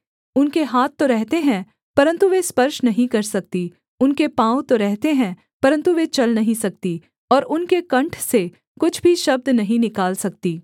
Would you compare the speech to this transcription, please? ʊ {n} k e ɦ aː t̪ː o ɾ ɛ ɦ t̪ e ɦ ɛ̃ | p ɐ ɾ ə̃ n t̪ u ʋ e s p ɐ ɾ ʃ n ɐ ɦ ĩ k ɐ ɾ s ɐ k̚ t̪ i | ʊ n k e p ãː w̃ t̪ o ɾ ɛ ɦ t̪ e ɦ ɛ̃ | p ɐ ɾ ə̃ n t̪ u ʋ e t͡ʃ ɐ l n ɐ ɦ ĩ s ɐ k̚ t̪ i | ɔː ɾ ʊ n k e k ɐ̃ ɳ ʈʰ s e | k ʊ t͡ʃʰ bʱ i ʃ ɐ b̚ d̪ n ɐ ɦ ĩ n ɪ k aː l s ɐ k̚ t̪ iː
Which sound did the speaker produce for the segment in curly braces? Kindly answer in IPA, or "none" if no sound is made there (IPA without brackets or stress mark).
n